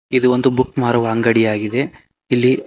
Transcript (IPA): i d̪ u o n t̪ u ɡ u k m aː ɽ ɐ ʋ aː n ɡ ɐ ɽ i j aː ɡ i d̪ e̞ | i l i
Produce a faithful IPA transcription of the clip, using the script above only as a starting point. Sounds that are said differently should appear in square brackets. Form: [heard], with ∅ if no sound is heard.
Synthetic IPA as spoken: i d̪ u o n [d̪] u [b] u k m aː [ɾ] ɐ ʋ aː [ŋ] ɡ ɐ ɽ i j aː ɡ i d̪ e̞ | i [lː] i